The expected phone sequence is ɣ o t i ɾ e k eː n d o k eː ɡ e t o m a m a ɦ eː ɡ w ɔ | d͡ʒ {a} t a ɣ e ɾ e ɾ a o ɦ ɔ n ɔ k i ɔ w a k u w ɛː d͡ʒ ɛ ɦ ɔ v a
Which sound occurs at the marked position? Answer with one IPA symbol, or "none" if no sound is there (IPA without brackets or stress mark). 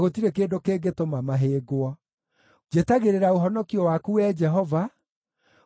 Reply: e